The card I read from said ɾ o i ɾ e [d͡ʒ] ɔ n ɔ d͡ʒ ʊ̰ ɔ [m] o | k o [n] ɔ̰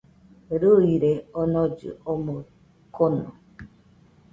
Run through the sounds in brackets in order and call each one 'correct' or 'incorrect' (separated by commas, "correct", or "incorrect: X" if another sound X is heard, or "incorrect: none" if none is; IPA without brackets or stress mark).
incorrect: none, correct, correct